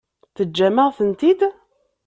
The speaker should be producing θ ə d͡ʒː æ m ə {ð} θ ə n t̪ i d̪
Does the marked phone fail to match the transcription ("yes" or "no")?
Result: yes